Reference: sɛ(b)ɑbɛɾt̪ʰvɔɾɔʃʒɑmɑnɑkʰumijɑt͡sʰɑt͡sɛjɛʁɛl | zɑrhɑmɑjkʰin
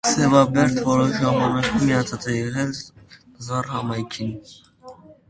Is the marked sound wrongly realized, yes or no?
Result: yes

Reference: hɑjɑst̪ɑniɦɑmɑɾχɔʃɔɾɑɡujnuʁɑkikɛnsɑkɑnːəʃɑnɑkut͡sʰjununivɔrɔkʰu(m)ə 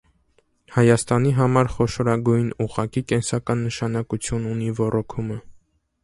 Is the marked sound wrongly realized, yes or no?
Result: no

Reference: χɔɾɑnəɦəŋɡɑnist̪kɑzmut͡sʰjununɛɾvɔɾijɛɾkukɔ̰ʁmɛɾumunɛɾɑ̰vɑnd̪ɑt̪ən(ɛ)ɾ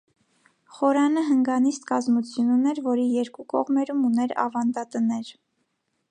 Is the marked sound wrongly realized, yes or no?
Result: no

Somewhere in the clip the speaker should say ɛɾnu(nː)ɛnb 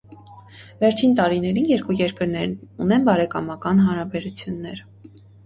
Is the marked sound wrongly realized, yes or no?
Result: yes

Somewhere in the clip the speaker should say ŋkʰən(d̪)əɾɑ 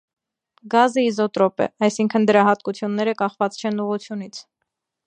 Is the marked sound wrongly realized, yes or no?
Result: no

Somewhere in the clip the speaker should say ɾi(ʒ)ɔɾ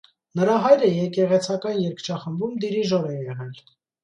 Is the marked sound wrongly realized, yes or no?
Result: no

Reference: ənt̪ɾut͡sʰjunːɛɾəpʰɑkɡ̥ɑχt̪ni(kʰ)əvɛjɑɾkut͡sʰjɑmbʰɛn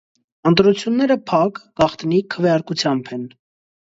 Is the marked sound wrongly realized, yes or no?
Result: no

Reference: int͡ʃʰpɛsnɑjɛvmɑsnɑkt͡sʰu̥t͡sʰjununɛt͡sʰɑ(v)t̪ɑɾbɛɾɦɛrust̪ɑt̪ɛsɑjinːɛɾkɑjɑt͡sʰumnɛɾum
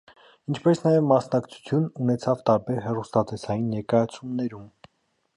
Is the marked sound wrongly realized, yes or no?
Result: no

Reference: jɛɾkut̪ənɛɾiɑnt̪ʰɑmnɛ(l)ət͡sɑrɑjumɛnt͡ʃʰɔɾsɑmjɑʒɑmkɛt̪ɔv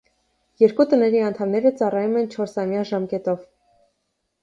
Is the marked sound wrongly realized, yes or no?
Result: yes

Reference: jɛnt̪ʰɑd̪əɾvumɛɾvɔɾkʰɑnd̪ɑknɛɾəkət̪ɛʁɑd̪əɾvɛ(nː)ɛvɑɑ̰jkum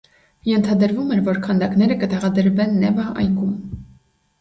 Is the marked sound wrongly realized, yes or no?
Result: no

